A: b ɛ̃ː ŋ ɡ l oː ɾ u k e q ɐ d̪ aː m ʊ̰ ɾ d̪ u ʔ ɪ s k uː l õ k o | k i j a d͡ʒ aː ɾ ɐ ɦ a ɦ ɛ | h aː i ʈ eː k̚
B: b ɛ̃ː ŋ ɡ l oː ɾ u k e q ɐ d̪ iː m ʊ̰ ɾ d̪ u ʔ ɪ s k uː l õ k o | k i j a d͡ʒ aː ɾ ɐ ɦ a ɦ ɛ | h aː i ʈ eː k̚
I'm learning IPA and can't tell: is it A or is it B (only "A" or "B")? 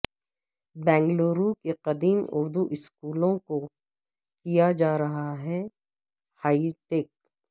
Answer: B